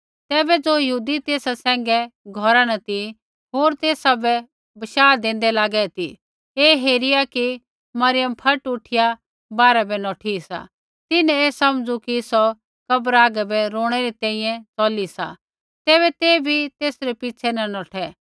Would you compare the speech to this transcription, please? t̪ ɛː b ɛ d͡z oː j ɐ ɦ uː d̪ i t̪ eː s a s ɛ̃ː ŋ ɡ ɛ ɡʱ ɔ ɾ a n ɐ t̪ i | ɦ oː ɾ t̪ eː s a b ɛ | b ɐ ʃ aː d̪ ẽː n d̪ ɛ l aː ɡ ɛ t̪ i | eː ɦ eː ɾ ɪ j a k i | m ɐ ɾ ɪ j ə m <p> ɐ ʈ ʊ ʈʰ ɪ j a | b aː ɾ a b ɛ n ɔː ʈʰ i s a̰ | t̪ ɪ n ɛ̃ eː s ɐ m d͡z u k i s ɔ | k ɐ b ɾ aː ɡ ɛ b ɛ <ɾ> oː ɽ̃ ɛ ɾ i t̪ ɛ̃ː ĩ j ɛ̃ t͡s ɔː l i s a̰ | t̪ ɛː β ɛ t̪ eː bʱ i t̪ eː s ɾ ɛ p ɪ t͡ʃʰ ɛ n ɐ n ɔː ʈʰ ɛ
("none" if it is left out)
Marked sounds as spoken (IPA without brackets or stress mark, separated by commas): pʰ, ɾ